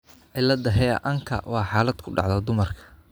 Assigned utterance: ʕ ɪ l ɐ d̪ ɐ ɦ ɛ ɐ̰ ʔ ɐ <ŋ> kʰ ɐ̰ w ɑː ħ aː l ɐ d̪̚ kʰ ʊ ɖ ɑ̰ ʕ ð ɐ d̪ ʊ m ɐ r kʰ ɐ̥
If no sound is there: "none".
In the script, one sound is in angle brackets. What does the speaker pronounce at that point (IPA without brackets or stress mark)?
ŋ